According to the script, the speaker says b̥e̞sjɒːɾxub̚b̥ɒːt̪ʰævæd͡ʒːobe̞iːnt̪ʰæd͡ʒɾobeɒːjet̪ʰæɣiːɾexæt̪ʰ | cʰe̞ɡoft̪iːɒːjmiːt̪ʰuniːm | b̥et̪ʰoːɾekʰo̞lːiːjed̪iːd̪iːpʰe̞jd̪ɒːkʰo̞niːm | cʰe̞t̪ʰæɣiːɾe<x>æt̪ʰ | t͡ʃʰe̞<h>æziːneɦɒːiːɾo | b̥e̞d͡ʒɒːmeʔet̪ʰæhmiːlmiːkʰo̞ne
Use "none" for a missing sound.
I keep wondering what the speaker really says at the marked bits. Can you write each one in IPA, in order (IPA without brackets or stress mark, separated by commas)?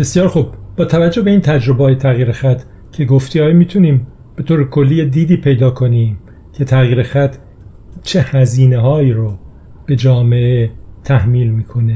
x, h